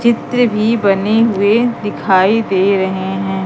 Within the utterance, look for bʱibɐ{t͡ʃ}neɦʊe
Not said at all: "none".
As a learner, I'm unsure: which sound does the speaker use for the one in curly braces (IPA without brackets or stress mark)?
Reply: none